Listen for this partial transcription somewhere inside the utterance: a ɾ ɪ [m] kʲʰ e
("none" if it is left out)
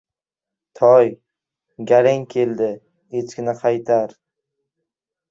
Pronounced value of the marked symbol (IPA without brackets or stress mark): ŋ